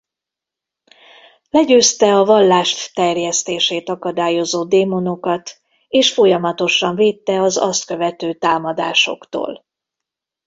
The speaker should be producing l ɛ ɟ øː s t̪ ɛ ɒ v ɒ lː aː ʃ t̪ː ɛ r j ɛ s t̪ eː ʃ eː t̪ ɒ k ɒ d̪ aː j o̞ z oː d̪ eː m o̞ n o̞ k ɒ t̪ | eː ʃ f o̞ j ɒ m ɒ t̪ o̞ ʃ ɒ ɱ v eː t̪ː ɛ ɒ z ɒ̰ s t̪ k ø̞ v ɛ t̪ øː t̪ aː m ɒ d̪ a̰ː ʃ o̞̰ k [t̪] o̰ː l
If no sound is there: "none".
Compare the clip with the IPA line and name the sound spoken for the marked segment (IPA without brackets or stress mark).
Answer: t̪